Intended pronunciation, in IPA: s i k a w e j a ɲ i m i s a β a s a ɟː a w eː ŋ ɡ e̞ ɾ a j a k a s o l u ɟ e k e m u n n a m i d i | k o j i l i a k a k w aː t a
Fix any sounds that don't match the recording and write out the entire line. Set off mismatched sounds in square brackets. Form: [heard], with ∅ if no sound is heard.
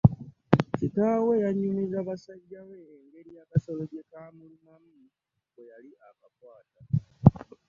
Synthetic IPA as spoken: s i k a w e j a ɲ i [n] i [z] a β a s a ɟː a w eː ŋ ɡ e̞ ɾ [i] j a k a s o l [o] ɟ e k [a] m u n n a m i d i | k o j [a] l i a k a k w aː t a